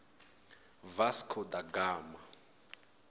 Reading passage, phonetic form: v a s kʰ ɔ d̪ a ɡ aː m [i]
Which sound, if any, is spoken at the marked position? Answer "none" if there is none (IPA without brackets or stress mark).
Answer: a